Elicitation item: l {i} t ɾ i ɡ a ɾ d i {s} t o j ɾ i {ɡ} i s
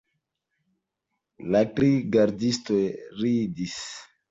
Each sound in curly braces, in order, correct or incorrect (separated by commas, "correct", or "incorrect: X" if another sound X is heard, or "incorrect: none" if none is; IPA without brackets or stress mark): incorrect: a, correct, incorrect: d